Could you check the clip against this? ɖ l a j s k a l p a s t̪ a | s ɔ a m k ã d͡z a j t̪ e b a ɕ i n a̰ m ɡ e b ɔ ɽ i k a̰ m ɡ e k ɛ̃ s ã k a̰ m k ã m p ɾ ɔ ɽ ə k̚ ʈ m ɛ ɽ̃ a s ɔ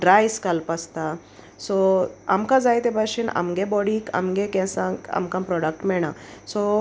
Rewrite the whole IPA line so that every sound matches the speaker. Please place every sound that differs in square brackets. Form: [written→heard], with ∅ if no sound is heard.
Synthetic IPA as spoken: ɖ [l→ɾ] a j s k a l p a s t̪ a | s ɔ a m k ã d͡z a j t̪ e b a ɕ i n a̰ m ɡ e b ɔ ɽ i k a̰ m ɡ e k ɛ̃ s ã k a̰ m k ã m p ɾ ɔ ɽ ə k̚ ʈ m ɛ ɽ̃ a s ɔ